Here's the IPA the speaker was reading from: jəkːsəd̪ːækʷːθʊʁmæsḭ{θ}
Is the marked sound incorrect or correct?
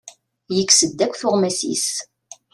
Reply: incorrect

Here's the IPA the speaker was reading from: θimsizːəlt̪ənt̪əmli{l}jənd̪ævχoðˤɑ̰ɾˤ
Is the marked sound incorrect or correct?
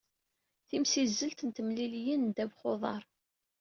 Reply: correct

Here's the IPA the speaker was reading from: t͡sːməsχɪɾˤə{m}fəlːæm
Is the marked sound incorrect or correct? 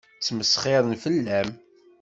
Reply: incorrect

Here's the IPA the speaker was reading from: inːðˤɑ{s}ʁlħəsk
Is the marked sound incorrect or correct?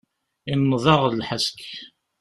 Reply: incorrect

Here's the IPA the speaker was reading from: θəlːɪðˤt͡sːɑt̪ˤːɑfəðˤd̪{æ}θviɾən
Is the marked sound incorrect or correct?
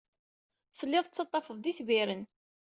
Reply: incorrect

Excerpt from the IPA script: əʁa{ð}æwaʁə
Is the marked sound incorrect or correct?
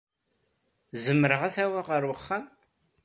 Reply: incorrect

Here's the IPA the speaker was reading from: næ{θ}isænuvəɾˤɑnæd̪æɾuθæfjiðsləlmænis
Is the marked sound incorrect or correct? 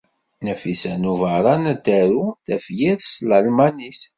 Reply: incorrect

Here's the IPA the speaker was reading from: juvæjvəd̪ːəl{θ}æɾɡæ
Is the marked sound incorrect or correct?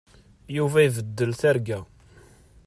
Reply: correct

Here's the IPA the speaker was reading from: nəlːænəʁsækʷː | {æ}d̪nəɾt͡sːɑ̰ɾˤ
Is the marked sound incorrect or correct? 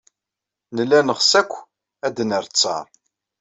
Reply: correct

